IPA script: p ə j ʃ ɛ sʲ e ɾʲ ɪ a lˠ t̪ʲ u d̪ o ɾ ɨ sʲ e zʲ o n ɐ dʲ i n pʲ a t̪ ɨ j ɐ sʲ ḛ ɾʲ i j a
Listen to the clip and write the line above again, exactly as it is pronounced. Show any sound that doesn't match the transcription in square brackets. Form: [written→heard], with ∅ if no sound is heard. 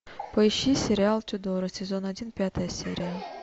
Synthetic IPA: p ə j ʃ [ɛ→i] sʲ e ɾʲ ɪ a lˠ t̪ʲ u d̪ o ɾ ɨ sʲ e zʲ o n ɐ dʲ i n pʲ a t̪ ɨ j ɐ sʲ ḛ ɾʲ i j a